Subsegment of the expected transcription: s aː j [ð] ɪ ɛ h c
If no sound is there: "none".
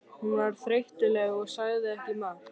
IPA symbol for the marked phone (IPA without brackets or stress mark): ð